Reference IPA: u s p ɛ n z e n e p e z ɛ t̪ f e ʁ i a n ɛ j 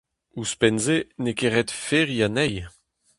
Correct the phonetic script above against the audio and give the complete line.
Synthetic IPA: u s p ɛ n z e n e k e ʁ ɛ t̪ f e ʁ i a n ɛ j